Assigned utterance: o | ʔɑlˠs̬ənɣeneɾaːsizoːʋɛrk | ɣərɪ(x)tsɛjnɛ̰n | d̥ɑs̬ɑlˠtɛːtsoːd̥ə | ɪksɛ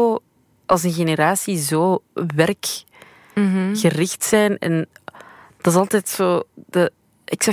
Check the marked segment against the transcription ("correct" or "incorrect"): correct